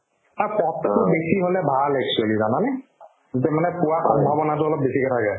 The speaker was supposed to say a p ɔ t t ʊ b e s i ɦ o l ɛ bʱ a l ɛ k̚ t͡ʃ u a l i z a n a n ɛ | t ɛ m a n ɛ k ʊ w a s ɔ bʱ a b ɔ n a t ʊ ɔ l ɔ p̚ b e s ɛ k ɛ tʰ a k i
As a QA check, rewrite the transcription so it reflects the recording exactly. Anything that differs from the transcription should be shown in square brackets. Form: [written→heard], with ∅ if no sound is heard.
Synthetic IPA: a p ɔ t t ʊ b e s i ɦ o l ɛ bʱ a l ɛ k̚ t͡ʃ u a l i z a n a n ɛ | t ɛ m a n ɛ [k→p] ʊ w a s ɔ bʱ a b ɔ n a t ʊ ɔ l ɔ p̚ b e s [ɛ→i] k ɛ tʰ a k [i→ɛ]

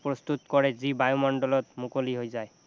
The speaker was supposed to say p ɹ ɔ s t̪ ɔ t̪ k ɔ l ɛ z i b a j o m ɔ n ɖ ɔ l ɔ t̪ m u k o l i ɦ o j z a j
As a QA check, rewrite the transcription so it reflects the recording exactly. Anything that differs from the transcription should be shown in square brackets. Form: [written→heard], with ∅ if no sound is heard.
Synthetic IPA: p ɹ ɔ s t̪ [ɔ→u] t̪ k ɔ [l→ɹ] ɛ z i b a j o m ɔ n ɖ ɔ l ɔ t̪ m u k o l i ɦ o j z a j

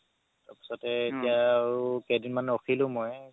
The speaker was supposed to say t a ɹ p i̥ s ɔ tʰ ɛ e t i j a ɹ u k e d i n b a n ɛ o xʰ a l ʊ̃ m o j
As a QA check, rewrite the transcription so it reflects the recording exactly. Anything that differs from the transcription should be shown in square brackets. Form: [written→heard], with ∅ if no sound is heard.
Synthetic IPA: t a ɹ p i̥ s ɔ [tʰ→t] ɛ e t i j a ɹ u k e d i n [b→m] a n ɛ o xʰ [a→i] l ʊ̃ m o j

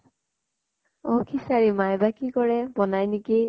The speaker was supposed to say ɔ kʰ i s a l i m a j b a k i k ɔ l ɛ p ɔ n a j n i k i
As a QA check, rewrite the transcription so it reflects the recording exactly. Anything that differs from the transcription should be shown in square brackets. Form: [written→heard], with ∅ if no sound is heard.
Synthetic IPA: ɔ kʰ i s a [l→ɹ] i m a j b a k i k ɔ [l→ɹ] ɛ [p→b] ɔ n a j n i k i

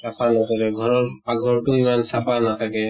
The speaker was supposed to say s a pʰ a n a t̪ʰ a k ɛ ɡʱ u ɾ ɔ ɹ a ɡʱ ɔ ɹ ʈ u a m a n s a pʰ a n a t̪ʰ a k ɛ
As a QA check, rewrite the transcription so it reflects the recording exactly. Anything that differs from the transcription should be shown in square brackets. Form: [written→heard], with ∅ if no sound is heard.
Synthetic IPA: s a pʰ a n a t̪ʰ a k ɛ ɡʱ [u→ɔ] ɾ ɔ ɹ a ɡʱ ɔ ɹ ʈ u [a→i] m a n s a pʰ a n a t̪ʰ a k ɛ

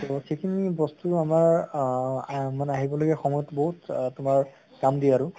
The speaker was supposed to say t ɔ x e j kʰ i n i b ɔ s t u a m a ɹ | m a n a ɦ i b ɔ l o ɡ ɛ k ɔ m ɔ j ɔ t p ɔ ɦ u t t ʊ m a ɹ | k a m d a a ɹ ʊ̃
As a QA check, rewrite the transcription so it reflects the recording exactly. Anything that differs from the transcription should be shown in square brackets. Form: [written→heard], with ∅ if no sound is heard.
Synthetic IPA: t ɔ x e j kʰ i n i b ɔ s t u a m a ɹ | m a n a ɦ i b ɔ l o ɡ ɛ [k→x] ɔ m ɔ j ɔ t [p→b] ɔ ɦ u t t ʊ m a ɹ | k a m d [a→i] a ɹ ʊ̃

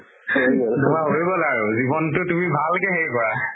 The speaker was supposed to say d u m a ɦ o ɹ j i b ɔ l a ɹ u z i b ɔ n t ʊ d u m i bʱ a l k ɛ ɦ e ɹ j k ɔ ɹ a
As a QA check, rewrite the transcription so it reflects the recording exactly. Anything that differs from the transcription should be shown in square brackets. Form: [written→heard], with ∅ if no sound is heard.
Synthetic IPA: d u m a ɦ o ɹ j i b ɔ l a ɹ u z i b ɔ n t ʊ [d→t] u m i bʱ a l k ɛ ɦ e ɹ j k ɔ ɹ a

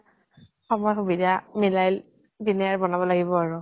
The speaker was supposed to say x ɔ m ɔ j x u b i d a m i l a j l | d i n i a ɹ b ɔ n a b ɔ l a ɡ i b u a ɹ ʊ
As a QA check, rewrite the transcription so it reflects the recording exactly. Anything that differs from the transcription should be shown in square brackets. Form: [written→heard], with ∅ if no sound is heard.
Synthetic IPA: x ɔ m ɔ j x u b i d a m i l a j l | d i n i a ɹ b ɔ n a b ɔ l a ɡ i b [u→ɔ] a ɹ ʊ

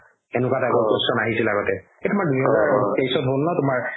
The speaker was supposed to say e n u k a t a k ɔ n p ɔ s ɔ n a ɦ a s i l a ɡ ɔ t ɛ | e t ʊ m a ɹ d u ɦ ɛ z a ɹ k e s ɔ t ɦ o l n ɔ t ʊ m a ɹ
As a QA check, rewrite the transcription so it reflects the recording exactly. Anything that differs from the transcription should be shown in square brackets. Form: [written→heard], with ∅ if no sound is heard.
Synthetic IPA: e n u k a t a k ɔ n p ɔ s ɔ n a ɦ [a→i] s i l a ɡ ɔ t ɛ | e t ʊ m a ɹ d u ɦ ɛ z a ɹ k e s ɔ t ɦ o l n ɔ t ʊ m a ɹ

